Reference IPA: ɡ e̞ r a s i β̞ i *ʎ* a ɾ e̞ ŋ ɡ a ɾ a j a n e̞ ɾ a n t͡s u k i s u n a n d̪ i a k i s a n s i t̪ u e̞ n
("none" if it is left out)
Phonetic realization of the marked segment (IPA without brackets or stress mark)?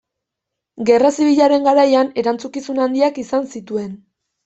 ʎ